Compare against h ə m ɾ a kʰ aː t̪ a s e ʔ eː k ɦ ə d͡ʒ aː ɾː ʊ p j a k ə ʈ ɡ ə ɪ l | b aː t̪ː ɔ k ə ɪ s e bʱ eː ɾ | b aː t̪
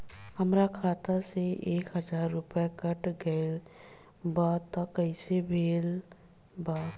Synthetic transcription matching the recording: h ə m ɾ a kʰ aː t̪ a s e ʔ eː k ɦ ə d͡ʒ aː ɾː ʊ p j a k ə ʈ ɡ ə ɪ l | b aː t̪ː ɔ k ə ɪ s e bʱ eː l | b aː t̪